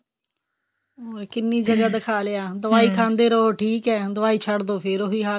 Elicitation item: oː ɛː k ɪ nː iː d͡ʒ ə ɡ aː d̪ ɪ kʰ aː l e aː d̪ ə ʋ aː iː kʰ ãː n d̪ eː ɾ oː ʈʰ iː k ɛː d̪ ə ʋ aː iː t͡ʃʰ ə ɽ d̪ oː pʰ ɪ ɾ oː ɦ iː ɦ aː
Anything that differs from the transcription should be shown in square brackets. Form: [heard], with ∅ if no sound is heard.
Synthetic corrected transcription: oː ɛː k ɪ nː iː d͡ʒ ə ɡ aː d̪ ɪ kʰ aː l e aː d̪ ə ʋ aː iː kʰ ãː n d̪ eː ɾ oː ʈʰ iː k ɛː d̪ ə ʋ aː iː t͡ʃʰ ə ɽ d̪ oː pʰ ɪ ɾ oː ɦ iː ɦ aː